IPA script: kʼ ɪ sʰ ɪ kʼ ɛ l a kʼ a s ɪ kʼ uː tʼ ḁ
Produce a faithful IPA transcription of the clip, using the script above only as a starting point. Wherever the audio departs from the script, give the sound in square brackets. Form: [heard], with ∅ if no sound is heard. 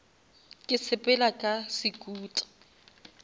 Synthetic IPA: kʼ ɪ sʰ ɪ [pʼ] ɛ l a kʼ a s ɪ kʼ uː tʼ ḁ